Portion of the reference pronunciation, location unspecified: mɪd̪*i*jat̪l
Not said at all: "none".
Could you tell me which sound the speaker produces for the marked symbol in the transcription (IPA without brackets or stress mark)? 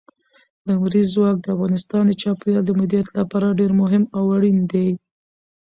i